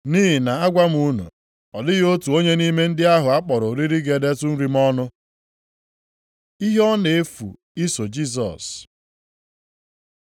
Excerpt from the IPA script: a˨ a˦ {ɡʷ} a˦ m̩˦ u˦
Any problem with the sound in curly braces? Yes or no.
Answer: no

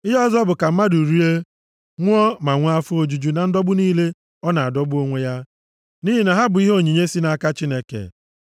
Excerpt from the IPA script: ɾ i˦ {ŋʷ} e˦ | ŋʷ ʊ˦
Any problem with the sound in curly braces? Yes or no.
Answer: yes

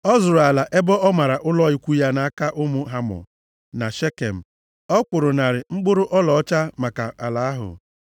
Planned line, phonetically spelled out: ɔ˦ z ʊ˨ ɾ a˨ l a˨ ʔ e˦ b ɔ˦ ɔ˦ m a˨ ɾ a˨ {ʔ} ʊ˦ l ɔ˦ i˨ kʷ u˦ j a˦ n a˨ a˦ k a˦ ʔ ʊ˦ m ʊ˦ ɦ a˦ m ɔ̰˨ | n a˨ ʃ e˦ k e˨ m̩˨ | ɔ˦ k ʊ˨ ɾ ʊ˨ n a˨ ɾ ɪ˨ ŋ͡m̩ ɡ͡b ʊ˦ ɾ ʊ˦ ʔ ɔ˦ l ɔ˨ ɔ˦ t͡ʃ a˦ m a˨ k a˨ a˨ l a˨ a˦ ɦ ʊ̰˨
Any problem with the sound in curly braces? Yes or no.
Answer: no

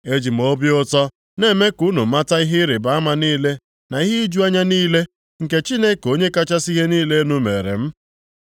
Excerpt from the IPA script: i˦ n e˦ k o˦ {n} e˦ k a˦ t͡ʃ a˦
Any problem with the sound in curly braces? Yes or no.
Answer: yes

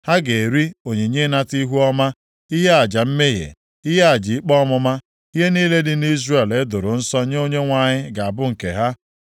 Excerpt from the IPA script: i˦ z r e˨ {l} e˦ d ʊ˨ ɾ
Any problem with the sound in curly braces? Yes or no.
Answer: no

